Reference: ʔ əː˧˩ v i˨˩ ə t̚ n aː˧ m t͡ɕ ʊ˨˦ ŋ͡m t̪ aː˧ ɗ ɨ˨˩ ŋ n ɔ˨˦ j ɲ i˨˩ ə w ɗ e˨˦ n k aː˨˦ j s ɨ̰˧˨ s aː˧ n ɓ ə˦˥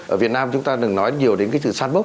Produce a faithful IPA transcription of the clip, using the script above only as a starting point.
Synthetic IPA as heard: ʔ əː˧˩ v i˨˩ ə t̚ n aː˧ m t͡ɕ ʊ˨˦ ŋ͡m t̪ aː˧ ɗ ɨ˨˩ ŋ n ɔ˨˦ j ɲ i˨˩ ə w ɗ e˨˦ n k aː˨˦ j s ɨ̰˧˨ s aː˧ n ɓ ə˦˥